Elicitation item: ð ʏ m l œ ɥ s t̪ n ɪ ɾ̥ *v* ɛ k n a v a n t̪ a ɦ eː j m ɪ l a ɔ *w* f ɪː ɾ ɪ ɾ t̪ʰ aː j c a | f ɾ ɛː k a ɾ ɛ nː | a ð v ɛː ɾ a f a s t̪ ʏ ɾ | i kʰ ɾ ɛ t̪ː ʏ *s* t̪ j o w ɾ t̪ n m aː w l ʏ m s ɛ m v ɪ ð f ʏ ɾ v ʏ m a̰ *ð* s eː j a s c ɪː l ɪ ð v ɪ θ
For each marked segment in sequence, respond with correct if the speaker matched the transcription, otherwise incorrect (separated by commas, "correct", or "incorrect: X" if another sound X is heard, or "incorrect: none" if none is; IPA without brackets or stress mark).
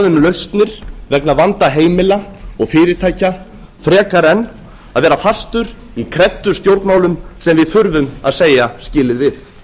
correct, incorrect: ɣ, correct, correct